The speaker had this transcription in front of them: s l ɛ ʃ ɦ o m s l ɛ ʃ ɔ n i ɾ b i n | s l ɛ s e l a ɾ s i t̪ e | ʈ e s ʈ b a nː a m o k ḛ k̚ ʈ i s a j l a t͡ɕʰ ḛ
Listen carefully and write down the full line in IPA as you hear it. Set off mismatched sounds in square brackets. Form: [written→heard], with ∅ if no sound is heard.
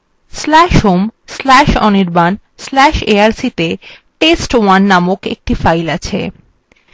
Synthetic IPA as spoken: s l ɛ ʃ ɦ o m s l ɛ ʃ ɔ n i ɾ b [i→a] n | s l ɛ [s→ʃ] e [l→∅] a ɾ s i t̪ e | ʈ e s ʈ [b→w] a nː a m o k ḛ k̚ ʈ i [s→f] a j l a t͡ɕʰ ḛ